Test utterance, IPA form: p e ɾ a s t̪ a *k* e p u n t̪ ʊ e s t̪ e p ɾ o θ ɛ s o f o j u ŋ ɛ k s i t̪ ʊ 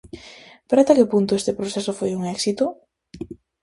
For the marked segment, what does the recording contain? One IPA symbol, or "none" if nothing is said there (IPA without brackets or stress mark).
k